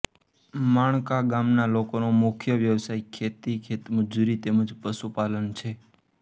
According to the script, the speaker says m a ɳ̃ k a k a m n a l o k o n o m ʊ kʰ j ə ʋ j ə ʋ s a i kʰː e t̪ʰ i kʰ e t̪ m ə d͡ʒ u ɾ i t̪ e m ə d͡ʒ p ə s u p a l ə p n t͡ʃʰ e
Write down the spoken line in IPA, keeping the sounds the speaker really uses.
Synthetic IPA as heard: m a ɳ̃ k a ɡ a m n a l o k o n o m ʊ kʰ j ə ʋ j ə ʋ s a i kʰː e t̪ i kʰ e t̪ m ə d͡ʒ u ɾ i t̪ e m ə d͡ʒ p ə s u p a l ə n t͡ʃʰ e